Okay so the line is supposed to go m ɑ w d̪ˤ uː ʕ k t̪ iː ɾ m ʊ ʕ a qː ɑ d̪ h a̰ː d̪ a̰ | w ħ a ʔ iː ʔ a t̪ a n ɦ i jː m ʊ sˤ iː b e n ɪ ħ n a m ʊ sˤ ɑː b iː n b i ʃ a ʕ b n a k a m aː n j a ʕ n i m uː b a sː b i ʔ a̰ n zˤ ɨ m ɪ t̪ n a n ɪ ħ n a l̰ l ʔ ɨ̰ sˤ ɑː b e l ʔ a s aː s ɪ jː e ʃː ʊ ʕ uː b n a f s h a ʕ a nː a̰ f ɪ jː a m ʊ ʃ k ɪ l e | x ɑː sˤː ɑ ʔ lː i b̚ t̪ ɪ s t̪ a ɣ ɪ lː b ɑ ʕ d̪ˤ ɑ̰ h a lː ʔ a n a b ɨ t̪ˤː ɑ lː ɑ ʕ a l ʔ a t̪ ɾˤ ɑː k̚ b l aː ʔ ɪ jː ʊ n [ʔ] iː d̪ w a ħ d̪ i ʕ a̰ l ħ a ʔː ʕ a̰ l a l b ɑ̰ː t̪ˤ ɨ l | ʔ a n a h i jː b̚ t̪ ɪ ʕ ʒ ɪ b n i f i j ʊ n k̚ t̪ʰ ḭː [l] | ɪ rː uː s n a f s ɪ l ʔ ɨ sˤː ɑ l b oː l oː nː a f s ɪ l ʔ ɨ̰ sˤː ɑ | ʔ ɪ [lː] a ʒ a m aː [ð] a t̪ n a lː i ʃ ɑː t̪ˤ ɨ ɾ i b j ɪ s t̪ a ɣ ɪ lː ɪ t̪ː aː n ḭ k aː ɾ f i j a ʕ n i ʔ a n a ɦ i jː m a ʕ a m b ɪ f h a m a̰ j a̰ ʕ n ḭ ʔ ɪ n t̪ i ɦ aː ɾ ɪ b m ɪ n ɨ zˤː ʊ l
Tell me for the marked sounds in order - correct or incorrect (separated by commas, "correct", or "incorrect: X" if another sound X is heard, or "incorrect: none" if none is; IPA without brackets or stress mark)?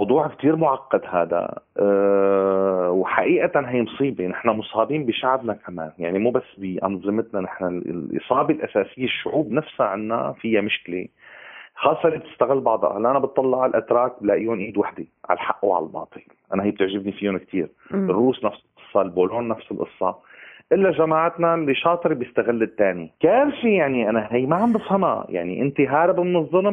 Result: correct, incorrect: ɾ, correct, incorrect: ʕ